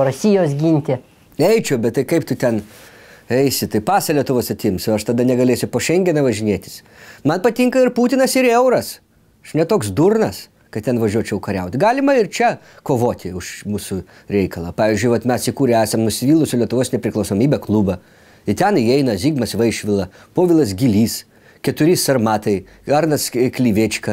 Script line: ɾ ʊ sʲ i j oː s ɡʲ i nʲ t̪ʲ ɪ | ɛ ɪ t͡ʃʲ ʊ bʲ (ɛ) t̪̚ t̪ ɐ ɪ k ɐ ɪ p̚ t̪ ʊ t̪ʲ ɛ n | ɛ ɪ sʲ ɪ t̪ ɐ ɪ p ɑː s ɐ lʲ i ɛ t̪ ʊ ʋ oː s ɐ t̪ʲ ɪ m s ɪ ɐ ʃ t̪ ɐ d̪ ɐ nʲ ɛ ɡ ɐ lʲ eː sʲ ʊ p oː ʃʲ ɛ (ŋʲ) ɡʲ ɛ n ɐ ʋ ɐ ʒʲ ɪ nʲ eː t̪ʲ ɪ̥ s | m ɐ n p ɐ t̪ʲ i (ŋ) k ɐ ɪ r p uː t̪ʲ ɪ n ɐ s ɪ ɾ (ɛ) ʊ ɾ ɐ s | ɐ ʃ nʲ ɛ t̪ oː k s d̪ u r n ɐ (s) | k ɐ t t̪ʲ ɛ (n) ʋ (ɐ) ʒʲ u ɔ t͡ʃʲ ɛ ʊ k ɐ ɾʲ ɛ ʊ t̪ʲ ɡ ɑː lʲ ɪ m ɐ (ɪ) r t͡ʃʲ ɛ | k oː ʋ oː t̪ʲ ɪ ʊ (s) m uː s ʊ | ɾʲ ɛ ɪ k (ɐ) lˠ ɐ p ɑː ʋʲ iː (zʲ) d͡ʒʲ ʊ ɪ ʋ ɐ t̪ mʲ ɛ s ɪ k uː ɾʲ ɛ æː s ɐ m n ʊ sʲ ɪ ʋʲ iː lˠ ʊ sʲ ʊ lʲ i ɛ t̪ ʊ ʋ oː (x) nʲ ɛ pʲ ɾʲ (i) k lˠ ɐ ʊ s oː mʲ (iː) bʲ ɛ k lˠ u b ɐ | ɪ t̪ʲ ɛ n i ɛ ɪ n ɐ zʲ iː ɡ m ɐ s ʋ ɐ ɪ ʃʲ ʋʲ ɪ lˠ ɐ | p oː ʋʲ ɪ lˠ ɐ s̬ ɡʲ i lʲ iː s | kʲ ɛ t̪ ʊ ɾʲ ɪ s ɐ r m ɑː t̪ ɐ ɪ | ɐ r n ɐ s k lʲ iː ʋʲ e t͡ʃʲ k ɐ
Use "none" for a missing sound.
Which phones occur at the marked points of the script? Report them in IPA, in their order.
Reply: ɛ, ŋʲ, ŋ, ɛ, s, n, ɐ, ɪ, ʃ, ɐ, zʲ, s, ɪ, iː

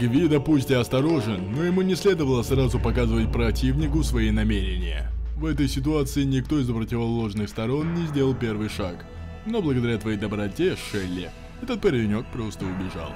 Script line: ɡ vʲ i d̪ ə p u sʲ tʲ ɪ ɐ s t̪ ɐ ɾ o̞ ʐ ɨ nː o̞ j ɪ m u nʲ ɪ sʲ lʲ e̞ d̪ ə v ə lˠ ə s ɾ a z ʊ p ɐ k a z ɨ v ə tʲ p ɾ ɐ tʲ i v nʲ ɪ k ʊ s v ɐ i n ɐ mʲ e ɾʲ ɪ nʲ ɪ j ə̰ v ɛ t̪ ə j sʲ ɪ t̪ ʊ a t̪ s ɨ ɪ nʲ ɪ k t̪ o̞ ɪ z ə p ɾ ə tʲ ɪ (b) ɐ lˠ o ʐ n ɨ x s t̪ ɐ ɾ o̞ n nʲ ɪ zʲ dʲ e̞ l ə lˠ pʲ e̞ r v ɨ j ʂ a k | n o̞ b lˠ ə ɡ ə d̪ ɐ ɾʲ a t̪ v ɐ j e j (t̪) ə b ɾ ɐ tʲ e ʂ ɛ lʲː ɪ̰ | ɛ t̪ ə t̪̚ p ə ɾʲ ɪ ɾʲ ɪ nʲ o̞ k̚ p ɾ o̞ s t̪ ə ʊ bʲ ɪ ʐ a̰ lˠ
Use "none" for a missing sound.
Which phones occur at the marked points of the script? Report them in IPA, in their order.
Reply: v, d̪

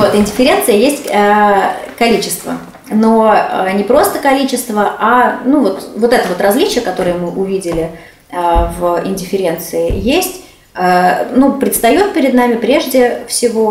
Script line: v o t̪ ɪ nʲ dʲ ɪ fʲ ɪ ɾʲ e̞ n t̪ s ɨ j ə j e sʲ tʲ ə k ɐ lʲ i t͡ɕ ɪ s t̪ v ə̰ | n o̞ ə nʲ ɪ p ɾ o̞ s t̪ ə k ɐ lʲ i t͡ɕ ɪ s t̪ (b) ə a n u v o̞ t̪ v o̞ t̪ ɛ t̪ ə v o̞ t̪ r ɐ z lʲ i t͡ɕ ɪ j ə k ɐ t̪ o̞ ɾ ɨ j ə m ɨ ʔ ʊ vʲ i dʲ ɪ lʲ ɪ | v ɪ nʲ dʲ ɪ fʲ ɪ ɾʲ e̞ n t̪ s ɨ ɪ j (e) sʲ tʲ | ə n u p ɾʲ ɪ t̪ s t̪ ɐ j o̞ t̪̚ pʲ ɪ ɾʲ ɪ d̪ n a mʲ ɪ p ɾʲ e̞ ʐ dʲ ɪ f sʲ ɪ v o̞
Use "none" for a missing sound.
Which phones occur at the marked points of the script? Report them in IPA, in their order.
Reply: v, e

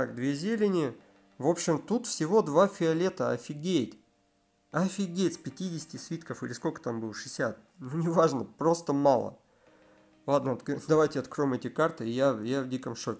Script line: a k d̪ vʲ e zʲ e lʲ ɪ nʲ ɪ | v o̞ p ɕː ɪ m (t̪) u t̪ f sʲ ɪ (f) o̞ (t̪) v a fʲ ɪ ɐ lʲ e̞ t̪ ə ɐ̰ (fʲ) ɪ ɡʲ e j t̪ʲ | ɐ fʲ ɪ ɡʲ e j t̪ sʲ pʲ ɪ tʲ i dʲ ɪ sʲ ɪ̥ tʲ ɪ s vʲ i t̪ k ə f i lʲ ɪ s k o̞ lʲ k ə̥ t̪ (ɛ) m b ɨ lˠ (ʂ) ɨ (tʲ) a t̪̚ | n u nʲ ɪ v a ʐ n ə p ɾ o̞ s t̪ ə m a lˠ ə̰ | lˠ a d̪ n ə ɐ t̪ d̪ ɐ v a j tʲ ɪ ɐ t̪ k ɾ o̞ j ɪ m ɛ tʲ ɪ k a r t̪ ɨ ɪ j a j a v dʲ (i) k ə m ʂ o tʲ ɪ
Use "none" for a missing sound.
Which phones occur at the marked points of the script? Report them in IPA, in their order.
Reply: t̪, v, d̪, fʲ, a, ʂ, sʲ, i

